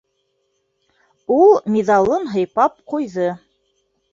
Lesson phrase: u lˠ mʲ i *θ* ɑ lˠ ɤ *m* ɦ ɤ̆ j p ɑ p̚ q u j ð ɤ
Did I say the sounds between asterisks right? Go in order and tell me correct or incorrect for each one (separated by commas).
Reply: incorrect, incorrect